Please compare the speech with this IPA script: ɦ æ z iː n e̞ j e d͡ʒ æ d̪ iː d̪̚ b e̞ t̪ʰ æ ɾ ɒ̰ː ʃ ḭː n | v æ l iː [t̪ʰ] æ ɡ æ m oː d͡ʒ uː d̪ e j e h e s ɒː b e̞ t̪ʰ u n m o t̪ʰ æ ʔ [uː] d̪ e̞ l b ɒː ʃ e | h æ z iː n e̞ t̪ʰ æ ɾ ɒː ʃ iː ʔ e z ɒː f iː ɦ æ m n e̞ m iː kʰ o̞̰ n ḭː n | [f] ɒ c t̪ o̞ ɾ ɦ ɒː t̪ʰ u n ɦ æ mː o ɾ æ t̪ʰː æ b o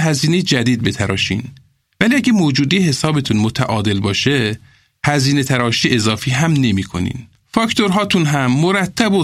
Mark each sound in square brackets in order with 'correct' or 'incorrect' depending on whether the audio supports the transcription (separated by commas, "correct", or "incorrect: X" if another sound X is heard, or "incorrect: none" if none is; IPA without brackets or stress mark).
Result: incorrect: none, incorrect: ɒː, correct